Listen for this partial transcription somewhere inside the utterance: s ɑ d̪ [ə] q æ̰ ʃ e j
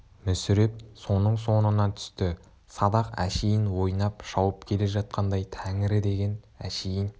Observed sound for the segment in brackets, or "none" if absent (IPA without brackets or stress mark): ɑ